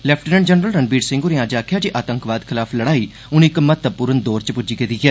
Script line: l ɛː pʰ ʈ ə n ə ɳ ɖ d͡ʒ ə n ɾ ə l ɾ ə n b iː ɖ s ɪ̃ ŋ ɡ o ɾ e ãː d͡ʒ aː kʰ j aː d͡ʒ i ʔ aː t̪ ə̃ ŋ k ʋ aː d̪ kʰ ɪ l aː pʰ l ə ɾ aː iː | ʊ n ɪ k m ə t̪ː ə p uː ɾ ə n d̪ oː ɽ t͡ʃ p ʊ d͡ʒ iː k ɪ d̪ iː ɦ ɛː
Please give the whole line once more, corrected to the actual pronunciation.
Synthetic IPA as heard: l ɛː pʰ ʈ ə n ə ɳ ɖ d͡ʒ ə n ɾ ə l ɾ ə n b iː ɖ s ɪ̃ ŋ ɡ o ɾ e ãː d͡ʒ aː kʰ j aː d͡ʒ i ʔ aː t̪ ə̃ ŋ k ʋ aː d̪ kʰ ɪ l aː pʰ l ə ɽ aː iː | ʊ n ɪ k m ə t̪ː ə p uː ɾ ə n d̪ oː ɾ t͡ʃ p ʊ d͡ʒ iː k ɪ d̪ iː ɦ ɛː